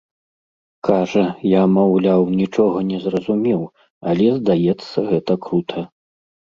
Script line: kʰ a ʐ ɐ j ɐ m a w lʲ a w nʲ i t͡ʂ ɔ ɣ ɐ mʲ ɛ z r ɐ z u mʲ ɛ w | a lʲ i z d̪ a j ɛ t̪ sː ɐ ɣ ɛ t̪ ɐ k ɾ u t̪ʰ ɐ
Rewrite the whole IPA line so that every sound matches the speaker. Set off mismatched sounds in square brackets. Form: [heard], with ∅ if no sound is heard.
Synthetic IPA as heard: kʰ a ʐ ɐ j [a] m a w lʲ a w nʲ i t͡ʂ ɔ ɣ ɐ [nʲ] ɛ z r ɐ z u mʲ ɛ w | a lʲ [ɛ] z d̪ a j ɛ t̪ sː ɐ ɣ ɛ t̪ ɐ k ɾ u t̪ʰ ɐ